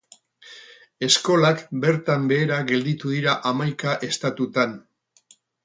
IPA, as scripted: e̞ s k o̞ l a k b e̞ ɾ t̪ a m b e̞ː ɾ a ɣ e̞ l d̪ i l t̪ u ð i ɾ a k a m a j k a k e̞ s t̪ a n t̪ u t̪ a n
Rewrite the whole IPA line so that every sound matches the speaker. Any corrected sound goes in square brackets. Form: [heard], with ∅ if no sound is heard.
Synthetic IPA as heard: e̞ s k o̞ l a k b e̞ ɾ t̪ a m b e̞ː ɾ a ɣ e̞ l d̪ i [∅] t̪ u ð i ɾ a [ʔ] a m a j k a [ʔ] e̞ s t̪ a [∅] t̪ u t̪ a n

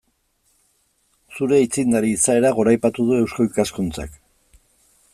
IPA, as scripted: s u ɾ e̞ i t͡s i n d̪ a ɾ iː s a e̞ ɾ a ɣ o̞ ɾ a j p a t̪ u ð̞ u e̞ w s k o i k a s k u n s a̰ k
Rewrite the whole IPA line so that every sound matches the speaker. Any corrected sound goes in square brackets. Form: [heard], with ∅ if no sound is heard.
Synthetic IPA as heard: s u ɾ e̞ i t͡s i n d̪ a ɾ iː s a e̞ ɾ a ɣ o̞ ɾ a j p a t̪ u ð̞ u e̞ w s k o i k a s k u n [t͡s] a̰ k

